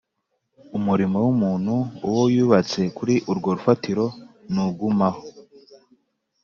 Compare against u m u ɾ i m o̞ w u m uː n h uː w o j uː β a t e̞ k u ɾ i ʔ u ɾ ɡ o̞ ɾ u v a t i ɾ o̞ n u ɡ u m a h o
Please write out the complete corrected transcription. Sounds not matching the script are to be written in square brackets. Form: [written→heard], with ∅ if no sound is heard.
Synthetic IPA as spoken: u m u ɾ i m o̞ w u m uː n h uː w o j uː β a [t→t͡s] e̞ k u ɾ i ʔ u ɾ ɡ o̞ ɾ u [v→f] a t i ɾ o̞ n u ɡ u m a h o